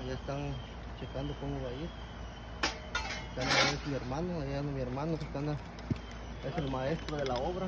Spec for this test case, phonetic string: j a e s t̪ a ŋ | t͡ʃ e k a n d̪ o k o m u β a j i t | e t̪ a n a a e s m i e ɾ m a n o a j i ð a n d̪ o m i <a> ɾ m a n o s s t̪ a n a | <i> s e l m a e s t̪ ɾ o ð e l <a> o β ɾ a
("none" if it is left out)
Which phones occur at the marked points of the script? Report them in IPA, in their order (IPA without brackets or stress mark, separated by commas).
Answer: e, e, a